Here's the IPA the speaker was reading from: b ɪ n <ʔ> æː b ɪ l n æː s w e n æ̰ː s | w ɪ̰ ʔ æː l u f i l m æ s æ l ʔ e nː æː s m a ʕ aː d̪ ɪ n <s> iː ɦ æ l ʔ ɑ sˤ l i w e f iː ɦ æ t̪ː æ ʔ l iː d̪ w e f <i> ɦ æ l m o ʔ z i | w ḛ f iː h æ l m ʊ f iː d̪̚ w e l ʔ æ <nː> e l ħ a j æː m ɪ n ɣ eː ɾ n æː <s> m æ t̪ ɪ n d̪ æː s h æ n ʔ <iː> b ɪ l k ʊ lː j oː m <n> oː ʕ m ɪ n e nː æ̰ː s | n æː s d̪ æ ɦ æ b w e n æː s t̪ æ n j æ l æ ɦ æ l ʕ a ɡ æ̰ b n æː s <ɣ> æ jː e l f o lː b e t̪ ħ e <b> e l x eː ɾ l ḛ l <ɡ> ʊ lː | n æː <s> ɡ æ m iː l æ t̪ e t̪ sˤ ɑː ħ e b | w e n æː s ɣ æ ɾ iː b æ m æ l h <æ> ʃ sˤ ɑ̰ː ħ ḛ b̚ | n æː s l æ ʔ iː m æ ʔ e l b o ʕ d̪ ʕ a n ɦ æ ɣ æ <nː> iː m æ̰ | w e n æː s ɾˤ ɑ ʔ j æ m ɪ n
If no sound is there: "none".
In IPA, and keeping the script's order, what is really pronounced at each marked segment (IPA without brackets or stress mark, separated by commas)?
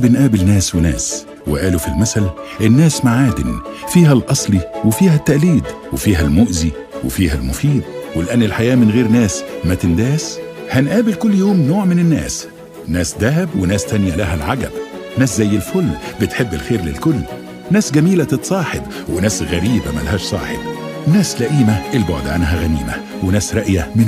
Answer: ʔ, f, iː, nː, s, æː, n, z, bː, k, s, æː, n